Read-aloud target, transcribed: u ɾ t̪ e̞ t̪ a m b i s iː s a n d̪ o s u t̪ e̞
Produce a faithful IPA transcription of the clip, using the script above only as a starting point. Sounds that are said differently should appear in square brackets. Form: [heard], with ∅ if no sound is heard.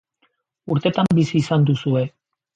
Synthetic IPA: u ɾ t̪ e̞ t̪ a m b i s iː s a n d̪ [u] s u [∅] e̞